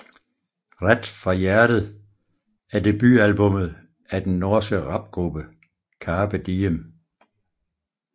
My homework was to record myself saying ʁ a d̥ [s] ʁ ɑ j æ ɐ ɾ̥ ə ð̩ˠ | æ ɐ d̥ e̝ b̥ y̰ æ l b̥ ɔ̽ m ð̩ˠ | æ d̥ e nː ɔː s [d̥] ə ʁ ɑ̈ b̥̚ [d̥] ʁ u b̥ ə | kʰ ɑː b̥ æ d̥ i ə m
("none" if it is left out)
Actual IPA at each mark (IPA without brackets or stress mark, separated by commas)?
f, ɡ̥, ɡ̥